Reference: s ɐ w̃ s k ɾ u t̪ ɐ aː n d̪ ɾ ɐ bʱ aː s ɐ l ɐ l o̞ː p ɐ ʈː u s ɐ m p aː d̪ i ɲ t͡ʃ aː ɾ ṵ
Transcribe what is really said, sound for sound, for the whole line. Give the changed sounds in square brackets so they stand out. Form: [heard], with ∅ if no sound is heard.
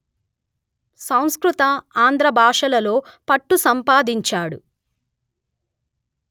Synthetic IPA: s ɐ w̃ s k ɾ u t̪ ɐ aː n d̪ ɾ ɐ bʱ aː [ʂ] ɐ l ɐ l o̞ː p ɐ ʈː u s ɐ m p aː d̪ i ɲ t͡ʃ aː [ɽ] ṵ